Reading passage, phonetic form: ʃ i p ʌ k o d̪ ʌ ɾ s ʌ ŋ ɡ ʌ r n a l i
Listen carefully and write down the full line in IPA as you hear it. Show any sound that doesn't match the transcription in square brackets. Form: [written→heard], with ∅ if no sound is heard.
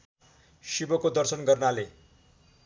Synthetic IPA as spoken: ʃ i [p→b] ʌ k o d̪ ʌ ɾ s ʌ [ŋ→n] ɡ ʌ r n a l [i→e]